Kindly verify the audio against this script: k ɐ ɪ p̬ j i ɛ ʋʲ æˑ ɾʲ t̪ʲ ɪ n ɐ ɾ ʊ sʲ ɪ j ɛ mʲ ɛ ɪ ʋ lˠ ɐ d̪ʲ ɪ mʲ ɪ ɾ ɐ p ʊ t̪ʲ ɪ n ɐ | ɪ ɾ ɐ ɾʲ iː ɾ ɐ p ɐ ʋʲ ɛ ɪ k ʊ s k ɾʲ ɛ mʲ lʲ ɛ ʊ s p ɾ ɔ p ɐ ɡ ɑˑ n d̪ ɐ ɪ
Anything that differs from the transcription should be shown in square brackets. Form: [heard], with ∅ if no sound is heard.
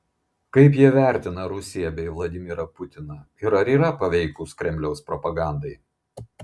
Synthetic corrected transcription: k ɐ ɪ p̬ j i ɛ ʋʲ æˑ ɾʲ t̪ʲ ɪ n ɐ ɾ ʊ sʲ ɪ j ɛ [bʲ] ɛ ɪ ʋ lˠ ɐ d̪ʲ ɪ mʲ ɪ ɾ ɐ p ʊ t̪ʲ ɪ n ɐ | ɪ ɾ ɐ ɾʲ iː ɾ ɐ p ɐ ʋʲ ɛ ɪ k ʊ s k ɾʲ ɛ mʲ lʲ ɛ ʊ s p ɾ ɔ p ɐ ɡ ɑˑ n d̪ ɐ ɪ